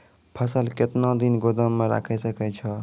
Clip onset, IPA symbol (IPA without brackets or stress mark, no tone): pʰ